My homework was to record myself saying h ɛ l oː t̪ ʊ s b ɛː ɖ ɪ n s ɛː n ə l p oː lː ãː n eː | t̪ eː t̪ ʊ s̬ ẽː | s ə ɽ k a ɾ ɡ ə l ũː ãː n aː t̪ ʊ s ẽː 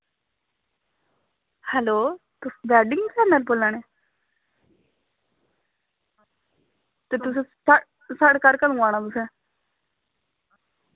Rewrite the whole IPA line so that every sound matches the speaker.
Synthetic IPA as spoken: h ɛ l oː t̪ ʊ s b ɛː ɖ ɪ ŋ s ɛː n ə l p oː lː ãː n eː | t̪ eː t̪ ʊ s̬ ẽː | s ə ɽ k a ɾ k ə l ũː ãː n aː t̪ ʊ s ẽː